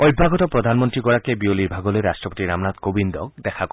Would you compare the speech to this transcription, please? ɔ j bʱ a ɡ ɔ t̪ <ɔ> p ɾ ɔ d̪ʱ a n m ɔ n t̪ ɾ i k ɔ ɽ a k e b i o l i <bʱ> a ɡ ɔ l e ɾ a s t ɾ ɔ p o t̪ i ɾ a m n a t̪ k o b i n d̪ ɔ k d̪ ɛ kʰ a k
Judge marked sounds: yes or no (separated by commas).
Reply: yes, yes